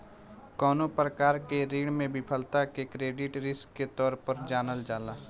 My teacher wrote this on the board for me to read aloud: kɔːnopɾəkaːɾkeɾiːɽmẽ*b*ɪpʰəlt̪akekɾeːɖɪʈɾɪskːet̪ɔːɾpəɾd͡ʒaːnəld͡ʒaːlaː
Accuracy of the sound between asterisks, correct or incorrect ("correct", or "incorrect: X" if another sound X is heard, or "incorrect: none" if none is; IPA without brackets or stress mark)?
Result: correct